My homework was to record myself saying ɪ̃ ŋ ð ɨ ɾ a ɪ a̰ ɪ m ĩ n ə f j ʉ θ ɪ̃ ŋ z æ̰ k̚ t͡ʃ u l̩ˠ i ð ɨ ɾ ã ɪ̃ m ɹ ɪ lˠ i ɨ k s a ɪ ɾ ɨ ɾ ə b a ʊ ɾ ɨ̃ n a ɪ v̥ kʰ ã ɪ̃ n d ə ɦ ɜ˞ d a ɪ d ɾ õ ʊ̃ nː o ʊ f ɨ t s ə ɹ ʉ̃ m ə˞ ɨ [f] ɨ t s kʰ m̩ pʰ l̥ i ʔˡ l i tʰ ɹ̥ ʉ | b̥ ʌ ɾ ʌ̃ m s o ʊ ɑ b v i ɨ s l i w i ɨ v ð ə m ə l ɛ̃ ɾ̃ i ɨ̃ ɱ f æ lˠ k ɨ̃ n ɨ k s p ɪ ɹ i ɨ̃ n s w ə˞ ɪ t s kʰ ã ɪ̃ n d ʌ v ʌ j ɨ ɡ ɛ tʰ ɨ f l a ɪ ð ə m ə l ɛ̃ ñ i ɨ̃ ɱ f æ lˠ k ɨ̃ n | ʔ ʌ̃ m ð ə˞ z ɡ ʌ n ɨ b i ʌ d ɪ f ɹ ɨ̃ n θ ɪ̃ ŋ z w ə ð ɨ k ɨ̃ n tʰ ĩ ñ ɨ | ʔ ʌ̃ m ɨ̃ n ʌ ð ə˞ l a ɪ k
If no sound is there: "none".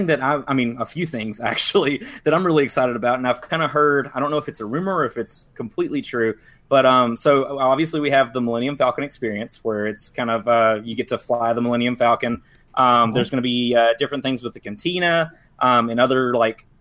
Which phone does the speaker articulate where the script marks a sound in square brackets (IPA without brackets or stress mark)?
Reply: f